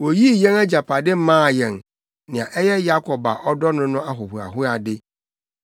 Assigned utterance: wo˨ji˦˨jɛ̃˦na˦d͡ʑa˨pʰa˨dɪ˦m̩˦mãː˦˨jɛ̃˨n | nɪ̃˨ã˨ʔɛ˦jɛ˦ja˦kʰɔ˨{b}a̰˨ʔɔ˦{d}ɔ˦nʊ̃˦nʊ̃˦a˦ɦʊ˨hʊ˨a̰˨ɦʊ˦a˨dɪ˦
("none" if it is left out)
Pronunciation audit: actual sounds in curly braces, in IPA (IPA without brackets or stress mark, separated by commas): b, d